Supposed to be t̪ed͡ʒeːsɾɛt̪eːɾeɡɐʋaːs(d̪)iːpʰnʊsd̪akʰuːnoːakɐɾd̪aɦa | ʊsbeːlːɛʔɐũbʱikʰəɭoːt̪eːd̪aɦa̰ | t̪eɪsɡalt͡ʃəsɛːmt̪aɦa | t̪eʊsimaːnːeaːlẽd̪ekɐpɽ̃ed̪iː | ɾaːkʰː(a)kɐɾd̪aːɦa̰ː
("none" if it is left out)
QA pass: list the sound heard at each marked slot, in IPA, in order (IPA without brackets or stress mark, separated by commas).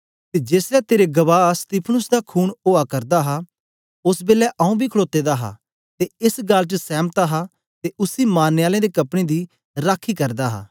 t̪, i